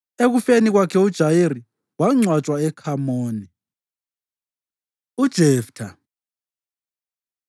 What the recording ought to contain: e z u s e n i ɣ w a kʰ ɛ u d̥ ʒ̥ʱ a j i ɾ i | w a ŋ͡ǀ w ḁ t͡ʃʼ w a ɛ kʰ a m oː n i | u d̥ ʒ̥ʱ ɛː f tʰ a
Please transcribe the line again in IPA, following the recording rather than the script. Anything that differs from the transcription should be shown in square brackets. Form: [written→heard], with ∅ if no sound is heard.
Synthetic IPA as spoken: e [z→ɣ] u [s→f] e n i ɣ w a kʰ ɛ u d̥ ʒ̥ʱ a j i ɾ i | w a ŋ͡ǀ w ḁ t͡ʃʼ w a ɛ kʰ a m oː n i | u d̥ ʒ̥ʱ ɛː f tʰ a

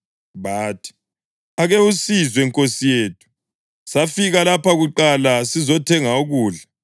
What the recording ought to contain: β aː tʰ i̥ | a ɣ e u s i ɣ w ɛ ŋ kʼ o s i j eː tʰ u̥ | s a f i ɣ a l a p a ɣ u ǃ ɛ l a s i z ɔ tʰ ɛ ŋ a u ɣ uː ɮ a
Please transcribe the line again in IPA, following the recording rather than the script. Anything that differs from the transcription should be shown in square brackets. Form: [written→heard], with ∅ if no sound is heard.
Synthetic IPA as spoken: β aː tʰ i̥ | a ɣ e u s i [ɣ→z] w ɛ ŋ kʼ o s i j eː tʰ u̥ | s a f i ɣ a l a p a ɣ u ǃ [ɛ→a] l a s i z ɔ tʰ ɛ ŋ a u ɣ uː ɮ a

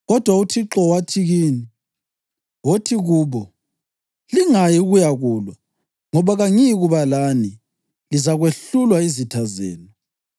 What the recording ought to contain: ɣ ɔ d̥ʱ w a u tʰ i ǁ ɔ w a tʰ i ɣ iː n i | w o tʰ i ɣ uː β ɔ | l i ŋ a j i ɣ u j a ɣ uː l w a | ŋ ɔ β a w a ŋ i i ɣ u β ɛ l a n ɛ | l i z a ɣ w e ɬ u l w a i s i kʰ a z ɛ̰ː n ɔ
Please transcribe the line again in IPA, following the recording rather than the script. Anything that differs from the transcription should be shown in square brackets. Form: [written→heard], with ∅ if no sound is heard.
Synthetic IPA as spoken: ɣ ɔ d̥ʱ w a u tʰ i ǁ ɔ w a tʰ i ɣ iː n i | w o tʰ i ɣ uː β ɔ | l i ŋ a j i ɣ u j a ɣ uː l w a | ŋ ɔ β a [w→ɣ] a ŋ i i ɣ u β [ɛ→a] l a n [ɛ→i] | l i z a ɣ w e ɬ u l w a i [s→z] i [kʰ→tʰ] a z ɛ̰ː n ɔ

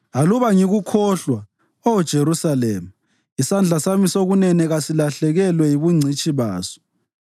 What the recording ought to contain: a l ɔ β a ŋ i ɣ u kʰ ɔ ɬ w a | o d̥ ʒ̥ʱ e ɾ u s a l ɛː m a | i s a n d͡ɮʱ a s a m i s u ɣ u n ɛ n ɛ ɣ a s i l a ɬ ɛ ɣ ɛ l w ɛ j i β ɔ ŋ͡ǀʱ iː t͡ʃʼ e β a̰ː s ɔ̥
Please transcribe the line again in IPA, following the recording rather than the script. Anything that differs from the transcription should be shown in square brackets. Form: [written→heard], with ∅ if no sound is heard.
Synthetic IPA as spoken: a l [ɔ→u] β a ŋ i ɣ u kʰ ɔ ɬ w a | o d̥ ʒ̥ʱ e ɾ u s a l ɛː m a | i s a n d͡ɮʱ a s a m i s [u→o] ɣ u n ɛ n ɛ ɣ a s i l a ɬ ɛ ɣ ɛ l w ɛ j i β [ɔ→u] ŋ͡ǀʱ [iː→i] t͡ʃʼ [e→i] β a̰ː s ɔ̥

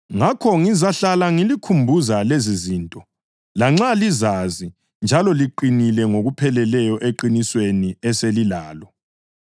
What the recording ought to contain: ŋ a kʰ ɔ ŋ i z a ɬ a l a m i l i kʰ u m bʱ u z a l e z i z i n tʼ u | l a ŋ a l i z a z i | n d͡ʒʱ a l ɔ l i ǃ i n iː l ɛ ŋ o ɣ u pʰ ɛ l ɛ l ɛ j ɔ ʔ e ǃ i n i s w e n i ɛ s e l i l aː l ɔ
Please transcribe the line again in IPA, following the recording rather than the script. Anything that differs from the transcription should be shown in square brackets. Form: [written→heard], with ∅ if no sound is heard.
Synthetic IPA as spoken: ŋ a kʰ ɔ ŋ i z a ɬ a l a [m→ŋ] i l i kʰ u m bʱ u z a l e z i z i n tʼ [u→ɔ] | l a [ŋ→ŋ͡ǁ] a l i z a z i | n d͡ʒʱ a l ɔ l i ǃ i n [iː→i] l ɛ ŋ o ɣ u pʰ ɛ l ɛ l ɛ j ɔ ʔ e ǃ i n i s w e n i ɛ s e l i l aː l ɔ

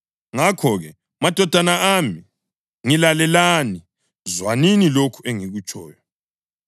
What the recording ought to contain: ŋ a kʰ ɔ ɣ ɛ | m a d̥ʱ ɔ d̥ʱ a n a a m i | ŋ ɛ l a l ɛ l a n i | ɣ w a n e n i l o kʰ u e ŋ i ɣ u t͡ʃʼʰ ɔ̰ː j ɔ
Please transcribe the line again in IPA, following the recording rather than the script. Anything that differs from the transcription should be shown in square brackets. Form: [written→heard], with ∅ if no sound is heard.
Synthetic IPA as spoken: ŋ a kʰ ɔ ɣ ɛ | m a d̥ʱ ɔ d̥ʱ a n a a m i | ŋ [ɛ→i] l a l ɛ l a n i | [ɣ→z] w a n [e→i] n i l o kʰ u e ŋ i ɣ u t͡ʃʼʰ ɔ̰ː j ɔ

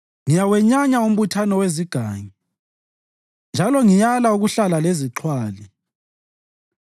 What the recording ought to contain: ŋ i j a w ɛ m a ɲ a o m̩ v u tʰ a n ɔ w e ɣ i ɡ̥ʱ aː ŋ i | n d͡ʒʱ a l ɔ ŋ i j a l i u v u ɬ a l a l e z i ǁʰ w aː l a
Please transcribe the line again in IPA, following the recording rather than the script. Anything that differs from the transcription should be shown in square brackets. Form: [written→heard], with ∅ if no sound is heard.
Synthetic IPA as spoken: ŋ i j a w ɛ [m→ɲ] a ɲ a [o→u] m̩ [v→β] u tʰ a n ɔ w e [ɣ→z] i ɡ̥ʱ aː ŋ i | n d͡ʒʱ a l ɔ ŋ i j a l [i→a] u [v→ɣ] u ɬ a l a l e z i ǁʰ w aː l [a→i]

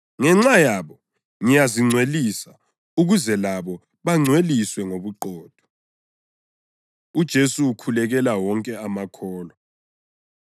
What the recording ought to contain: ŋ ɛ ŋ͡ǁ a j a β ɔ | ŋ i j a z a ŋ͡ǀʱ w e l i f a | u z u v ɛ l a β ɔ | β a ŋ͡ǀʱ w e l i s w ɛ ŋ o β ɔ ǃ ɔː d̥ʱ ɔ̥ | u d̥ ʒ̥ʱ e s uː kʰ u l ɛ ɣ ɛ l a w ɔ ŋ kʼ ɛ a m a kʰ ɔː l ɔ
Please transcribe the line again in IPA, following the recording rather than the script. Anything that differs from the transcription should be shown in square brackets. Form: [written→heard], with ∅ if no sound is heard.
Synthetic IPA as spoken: ŋ ɛ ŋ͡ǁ a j a β ɔ | ŋ i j a z [a→i] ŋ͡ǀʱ w e l i [f→s] a | u [z→ɣ] u [v→z] ɛ l a β ɔ | β a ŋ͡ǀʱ w e l i s w ɛ ŋ o β [ɔ→u] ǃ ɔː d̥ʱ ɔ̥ | u d̥ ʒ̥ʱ e s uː kʰ u l ɛ ɣ ɛ l a w ɔ ŋ kʼ ɛ a m a kʰ ɔː l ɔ

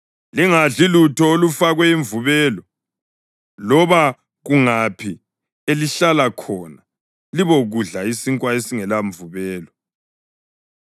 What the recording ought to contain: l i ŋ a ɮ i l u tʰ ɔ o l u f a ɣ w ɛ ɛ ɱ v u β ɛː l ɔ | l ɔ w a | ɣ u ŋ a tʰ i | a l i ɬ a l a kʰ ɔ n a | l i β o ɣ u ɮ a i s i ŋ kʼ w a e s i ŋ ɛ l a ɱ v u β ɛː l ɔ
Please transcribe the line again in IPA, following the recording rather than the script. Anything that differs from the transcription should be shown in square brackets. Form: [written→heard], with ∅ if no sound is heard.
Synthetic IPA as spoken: l i ŋ a ɮ i l u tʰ ɔ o l u f a ɣ w ɛ [ɛ→i] ɱ v u β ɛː l ɔ | l ɔ [w→β] a | ɣ u ŋ a [tʰ→pʰ] i | [a→e] l i ɬ a l a kʰ ɔ n a | l i β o ɣ u ɮ a i s i ŋ kʼ w a e s i ŋ ɛ l a ɱ v u β ɛː l ɔ

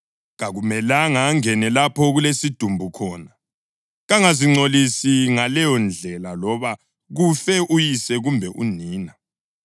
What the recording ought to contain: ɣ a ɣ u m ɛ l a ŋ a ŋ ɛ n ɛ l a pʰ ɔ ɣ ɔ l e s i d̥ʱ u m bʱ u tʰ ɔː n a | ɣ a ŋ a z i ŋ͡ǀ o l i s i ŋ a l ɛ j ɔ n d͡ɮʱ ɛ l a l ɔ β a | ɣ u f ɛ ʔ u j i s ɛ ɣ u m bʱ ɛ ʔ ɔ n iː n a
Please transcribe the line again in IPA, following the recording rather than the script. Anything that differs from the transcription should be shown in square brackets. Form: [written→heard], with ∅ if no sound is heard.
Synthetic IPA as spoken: ɣ a ɣ u m ɛ l a ŋ a ŋ ɛ n ɛ l a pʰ ɔ ɣ [ɔ→u] l e s i d̥ʱ u m bʱ u [tʰ→kʰ] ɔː n a | ɣ a ŋ a z i ŋ͡ǀ o l i s i ŋ a l ɛ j ɔ n d͡ɮʱ ɛ l a l ɔ β a | ɣ u f ɛ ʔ u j i s ɛ ɣ u m bʱ ɛ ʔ [ɔ→u] n iː n a

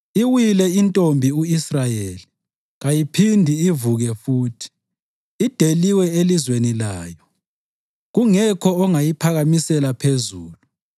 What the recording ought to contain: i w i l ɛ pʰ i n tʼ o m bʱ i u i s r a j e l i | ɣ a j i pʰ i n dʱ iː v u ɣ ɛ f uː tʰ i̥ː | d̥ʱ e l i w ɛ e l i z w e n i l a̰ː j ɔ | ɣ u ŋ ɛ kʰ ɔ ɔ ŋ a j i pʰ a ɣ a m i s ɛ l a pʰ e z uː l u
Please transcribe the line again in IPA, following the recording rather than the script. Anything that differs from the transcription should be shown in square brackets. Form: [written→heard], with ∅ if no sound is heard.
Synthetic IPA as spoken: i w i l ɛ [pʰ→∅] i n tʼ o m bʱ i u i s r a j e l i | ɣ a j i pʰ i n dʱ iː v u ɣ ɛ f uː tʰ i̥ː | d̥ʱ e l i w ɛ e l i z w e n i l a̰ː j ɔ | ɣ u ŋ ɛ kʰ ɔ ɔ ŋ a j i pʰ a ɣ a m i s ɛ l a pʰ e z uː l u

